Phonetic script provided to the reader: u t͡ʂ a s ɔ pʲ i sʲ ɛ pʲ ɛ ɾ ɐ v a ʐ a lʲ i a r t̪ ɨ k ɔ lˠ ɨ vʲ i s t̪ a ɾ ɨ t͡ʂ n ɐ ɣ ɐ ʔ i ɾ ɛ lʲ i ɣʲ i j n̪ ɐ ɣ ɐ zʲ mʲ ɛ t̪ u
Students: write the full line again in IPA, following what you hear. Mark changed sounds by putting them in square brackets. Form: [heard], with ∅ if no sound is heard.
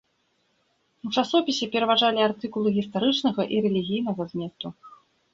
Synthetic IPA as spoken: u t͡ʂ a s ɔ pʲ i sʲ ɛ pʲ ɛ ɾ ɐ v a ʐ a lʲ i a r t̪ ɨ k [u] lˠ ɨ [ɣʲ] i s t̪ a ɾ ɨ t͡ʂ n ɐ ɣ ɐ ʔ i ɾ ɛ lʲ i ɣʲ i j n̪ ɐ ɣ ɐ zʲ mʲ ɛ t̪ u